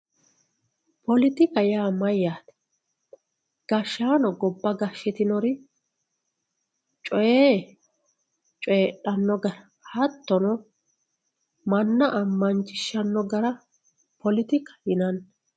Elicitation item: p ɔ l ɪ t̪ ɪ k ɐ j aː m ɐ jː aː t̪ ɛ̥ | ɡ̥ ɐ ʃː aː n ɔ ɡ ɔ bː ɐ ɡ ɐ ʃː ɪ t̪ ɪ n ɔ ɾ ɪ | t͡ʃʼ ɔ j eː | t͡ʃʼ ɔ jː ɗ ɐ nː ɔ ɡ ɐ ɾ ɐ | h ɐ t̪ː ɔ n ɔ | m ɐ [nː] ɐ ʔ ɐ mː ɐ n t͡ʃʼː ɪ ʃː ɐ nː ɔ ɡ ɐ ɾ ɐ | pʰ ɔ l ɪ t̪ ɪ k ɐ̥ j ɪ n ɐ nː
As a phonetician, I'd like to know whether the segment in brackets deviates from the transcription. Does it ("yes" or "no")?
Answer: no